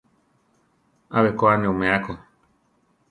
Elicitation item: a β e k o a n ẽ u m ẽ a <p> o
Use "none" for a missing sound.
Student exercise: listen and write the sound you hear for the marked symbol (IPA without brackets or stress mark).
k